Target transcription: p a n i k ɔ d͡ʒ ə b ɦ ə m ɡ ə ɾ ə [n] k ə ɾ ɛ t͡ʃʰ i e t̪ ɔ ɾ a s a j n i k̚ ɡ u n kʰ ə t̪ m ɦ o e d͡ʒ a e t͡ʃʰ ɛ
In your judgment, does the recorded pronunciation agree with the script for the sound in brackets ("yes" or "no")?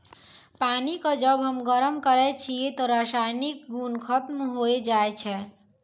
no